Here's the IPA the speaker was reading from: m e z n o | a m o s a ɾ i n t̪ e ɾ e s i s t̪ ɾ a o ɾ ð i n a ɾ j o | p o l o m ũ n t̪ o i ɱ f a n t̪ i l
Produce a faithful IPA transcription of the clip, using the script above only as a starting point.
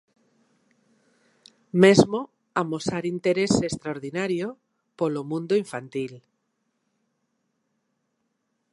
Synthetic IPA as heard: m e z m o | a m o s a ɾ i n t̪ e ɾ e s e s t̪ ɾ a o ɾ ð i n a ɾ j o | p o l o m ũ n d̪ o i ɱ f a n t̪ i l